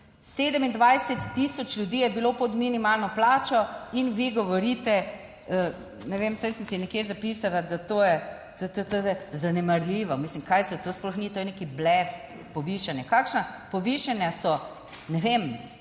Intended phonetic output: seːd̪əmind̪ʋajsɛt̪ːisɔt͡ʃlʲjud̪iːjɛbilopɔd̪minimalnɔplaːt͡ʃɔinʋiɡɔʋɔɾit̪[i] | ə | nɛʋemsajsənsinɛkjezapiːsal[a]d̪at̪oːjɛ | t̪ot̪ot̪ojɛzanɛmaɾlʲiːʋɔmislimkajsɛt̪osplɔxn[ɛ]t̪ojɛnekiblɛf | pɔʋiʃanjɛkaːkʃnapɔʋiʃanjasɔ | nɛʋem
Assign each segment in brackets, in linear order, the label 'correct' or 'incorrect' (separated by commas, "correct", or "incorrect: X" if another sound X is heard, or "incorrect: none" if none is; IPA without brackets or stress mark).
incorrect: ɛ, correct, incorrect: i